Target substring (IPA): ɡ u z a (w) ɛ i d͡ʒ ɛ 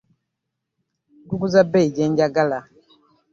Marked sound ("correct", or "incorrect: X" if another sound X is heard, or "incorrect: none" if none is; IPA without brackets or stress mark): incorrect: b